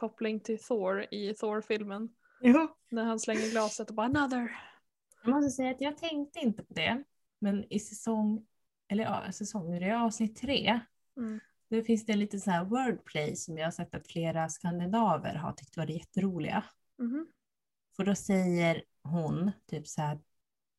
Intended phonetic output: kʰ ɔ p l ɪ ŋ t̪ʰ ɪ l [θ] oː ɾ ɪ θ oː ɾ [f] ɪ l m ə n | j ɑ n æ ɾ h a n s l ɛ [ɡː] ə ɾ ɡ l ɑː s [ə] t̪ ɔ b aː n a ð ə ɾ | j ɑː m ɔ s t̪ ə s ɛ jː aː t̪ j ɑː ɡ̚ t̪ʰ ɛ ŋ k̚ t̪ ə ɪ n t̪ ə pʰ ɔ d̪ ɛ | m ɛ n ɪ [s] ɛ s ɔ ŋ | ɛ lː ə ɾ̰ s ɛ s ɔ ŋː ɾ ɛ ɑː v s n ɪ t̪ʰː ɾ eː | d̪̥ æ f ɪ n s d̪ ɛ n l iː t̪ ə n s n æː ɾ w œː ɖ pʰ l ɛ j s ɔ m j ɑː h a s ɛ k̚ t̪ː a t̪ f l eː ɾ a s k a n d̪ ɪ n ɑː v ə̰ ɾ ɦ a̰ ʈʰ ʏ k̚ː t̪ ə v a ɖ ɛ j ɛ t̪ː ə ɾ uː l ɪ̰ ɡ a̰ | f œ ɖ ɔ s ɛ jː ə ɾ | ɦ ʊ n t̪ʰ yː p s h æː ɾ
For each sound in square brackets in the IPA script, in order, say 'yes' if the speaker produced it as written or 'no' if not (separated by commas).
yes, yes, no, yes, yes